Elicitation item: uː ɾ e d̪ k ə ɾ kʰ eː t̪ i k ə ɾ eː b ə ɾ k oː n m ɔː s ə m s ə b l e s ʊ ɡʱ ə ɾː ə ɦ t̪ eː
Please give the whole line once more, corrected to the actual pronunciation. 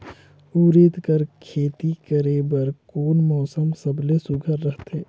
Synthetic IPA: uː ɾ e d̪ k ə ɾ kʰ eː t̪ i k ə ɾ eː b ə ɾ k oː n m ɔː s ə m s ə b l e s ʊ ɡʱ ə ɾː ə ɦ t̪ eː